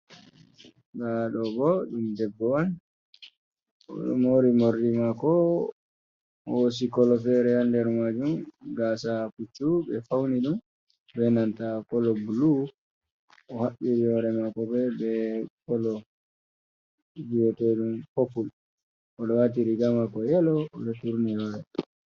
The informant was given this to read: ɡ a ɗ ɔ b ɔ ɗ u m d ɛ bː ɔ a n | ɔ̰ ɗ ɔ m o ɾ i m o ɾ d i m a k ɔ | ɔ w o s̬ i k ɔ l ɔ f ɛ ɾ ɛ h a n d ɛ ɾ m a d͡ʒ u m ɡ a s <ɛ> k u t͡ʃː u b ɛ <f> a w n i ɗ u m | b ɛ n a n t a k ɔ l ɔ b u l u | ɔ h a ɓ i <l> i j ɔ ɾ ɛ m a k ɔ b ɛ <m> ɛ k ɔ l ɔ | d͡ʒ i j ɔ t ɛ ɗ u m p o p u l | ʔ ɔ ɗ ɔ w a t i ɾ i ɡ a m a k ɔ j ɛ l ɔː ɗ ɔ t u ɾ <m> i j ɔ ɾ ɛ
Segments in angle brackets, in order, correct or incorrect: incorrect: a, correct, incorrect: ɾ, incorrect: b, incorrect: n

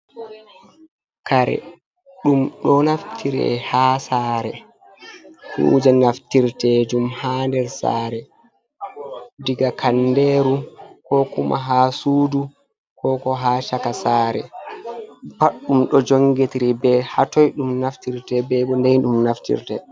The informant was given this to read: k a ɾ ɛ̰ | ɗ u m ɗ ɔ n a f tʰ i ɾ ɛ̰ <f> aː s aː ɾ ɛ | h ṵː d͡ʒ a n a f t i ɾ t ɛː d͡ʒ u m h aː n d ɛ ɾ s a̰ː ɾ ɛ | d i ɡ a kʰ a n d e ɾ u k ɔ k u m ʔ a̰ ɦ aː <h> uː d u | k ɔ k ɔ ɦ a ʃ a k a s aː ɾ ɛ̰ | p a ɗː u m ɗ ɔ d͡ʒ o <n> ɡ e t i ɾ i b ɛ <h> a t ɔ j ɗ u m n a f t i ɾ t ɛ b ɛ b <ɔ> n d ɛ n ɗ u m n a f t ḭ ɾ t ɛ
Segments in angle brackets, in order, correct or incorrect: incorrect: h, incorrect: s, incorrect: ŋ, correct, correct

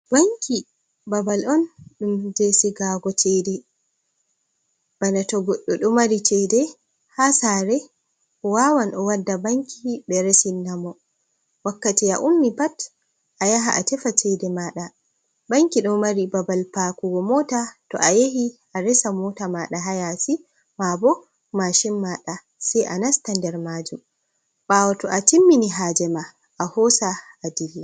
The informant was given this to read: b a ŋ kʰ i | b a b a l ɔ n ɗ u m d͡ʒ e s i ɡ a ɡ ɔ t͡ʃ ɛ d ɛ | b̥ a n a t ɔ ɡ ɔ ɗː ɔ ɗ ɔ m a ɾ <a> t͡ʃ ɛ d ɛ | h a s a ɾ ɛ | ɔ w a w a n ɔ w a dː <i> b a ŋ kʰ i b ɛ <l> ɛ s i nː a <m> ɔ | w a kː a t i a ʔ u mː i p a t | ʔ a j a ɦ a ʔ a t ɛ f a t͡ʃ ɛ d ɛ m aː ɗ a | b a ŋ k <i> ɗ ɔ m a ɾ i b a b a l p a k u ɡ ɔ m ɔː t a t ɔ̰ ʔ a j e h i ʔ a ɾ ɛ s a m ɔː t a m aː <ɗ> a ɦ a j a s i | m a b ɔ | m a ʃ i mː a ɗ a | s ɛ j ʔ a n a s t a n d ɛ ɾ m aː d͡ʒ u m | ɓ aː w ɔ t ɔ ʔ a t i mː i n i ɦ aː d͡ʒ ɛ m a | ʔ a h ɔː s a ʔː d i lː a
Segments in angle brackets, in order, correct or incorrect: incorrect: i, incorrect: a, incorrect: ɾ, correct, correct, correct

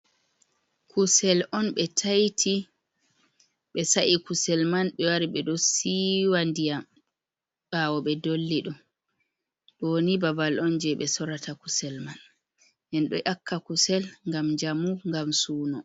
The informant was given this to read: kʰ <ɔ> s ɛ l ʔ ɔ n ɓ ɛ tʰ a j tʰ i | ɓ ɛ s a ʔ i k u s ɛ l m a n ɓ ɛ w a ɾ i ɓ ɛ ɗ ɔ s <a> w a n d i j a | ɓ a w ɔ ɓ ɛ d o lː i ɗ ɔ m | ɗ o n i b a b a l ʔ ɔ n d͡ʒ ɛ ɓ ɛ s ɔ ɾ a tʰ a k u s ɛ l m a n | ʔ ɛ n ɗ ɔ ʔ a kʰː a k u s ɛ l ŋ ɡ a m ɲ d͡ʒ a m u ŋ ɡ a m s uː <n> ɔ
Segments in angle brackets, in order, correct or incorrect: incorrect: u, incorrect: i, correct

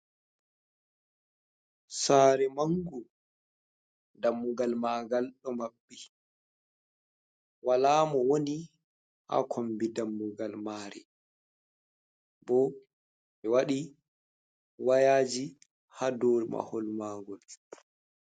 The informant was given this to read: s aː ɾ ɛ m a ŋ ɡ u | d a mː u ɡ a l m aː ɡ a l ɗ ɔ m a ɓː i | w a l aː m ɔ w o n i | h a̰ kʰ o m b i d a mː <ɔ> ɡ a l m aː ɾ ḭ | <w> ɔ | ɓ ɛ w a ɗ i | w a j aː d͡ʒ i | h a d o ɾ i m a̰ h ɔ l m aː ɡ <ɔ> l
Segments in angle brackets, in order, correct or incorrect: incorrect: u, incorrect: b, correct

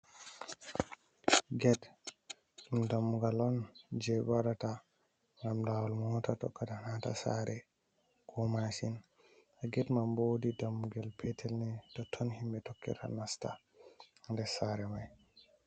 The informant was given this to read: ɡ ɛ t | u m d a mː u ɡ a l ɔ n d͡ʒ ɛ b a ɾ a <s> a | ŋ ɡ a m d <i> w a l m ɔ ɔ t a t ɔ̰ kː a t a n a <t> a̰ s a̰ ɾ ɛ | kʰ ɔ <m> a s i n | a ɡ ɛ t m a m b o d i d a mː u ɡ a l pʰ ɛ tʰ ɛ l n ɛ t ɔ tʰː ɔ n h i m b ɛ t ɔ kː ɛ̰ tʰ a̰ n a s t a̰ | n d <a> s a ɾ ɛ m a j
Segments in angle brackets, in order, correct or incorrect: incorrect: t, incorrect: a, correct, correct, incorrect: ɛ

